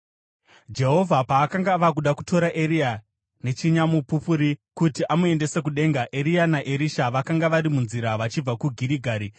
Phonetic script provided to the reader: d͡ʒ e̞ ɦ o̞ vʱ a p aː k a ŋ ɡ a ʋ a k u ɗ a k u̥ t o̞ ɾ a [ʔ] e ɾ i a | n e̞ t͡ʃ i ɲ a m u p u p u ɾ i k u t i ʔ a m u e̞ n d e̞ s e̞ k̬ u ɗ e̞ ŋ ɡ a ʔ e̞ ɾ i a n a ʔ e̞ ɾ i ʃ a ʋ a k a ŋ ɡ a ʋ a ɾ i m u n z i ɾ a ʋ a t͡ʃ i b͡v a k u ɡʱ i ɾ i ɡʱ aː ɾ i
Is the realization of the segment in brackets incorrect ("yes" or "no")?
no